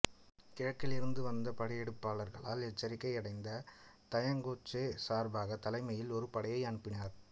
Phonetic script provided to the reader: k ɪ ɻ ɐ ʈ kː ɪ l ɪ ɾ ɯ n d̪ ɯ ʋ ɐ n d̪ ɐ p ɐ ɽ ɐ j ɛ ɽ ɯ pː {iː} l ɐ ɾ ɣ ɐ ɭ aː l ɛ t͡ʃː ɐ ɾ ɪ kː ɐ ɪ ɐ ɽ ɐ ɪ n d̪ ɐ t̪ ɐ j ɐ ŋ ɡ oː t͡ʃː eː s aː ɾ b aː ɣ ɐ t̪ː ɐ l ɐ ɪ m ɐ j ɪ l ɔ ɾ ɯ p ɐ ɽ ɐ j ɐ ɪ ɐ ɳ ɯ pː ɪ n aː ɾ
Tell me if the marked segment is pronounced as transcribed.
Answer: no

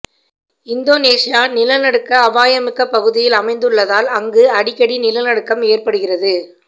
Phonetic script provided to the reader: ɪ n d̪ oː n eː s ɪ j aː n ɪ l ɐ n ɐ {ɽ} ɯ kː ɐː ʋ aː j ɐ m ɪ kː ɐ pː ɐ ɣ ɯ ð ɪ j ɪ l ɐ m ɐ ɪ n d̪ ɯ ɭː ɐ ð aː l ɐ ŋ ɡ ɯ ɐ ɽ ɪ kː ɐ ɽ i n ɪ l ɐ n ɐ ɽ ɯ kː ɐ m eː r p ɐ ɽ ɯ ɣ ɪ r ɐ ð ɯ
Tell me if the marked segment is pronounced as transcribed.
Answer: yes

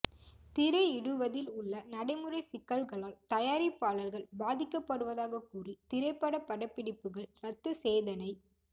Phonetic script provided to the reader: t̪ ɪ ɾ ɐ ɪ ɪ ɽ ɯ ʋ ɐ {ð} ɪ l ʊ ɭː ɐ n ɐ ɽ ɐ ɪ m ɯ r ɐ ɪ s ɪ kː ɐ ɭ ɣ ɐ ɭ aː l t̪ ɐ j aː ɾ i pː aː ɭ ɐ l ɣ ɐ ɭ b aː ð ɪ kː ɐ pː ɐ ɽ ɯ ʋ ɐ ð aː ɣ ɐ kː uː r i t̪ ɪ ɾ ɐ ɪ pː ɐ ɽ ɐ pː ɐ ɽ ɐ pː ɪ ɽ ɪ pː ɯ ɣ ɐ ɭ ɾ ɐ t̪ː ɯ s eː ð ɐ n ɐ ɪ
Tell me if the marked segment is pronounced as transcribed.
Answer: yes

